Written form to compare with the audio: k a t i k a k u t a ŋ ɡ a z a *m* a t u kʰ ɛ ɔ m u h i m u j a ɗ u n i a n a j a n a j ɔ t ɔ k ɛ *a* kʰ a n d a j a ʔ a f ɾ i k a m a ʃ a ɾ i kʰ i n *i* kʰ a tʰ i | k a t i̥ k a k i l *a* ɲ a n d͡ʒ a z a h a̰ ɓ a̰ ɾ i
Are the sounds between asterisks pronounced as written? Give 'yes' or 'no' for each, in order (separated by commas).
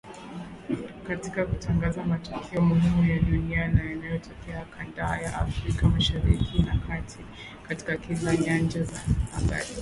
yes, yes, no, yes